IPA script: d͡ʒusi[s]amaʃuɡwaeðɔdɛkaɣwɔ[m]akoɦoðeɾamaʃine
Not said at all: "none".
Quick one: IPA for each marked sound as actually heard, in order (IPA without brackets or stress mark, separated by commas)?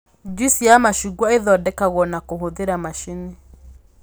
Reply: none, n